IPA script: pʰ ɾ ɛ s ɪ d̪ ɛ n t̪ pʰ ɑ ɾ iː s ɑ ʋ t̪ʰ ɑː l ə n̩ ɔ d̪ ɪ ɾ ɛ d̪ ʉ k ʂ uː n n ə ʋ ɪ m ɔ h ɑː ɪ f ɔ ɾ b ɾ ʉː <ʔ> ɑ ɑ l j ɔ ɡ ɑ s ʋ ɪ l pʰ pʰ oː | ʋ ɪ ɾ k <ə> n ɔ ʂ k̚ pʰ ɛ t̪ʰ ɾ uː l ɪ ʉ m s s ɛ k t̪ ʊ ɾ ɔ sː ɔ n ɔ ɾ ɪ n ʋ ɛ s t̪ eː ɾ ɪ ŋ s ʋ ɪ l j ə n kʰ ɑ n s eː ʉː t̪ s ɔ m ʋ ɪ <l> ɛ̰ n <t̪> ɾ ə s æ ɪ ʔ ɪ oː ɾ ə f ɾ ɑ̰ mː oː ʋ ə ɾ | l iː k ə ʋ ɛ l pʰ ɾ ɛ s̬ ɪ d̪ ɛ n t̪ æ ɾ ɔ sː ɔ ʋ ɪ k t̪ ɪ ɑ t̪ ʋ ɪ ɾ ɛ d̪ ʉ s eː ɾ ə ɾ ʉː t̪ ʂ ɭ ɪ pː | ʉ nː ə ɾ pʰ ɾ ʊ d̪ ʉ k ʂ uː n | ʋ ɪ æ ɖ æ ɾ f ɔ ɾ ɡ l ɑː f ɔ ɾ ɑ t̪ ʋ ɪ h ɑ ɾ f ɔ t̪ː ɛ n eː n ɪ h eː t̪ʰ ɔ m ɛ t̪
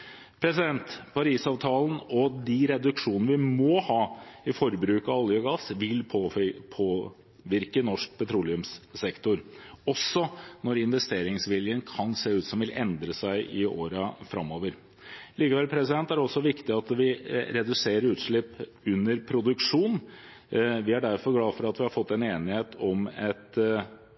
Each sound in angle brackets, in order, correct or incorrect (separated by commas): incorrect, correct, correct, incorrect